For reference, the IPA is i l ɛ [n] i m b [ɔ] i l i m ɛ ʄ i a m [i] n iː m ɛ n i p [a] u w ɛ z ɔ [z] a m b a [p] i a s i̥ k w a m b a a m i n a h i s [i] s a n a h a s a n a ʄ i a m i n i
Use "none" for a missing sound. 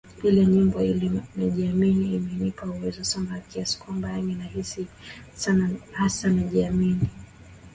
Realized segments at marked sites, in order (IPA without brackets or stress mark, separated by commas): ɲ, ɔ, i, a, s, k, i